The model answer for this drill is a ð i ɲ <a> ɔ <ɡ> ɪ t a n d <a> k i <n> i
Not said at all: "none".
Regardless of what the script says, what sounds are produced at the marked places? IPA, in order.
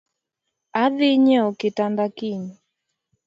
ɛ, k, a, ɲ

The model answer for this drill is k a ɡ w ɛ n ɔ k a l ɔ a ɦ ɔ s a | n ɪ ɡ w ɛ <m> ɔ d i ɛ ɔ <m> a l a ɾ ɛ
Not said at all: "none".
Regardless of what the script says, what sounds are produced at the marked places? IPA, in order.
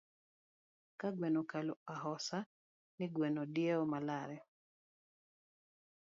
n, m

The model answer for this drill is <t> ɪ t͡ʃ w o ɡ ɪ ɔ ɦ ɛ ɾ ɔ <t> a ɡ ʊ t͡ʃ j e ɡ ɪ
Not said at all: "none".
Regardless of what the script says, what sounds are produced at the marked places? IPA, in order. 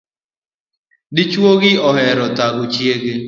d, t

